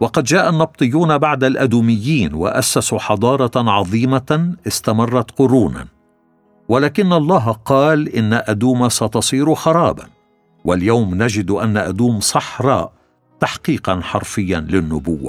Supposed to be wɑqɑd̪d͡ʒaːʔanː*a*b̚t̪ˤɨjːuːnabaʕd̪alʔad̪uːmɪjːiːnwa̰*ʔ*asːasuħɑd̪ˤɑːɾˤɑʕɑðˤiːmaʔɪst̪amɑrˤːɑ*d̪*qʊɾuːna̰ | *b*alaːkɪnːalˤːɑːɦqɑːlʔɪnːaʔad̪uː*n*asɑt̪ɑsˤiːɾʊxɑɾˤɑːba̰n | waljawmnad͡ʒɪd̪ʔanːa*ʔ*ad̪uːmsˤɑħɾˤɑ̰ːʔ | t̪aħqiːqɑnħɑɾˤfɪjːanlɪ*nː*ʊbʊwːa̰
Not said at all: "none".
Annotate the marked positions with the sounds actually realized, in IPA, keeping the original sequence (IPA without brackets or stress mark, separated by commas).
ɑ, ʔ, t̪, w, m, ʔ, nː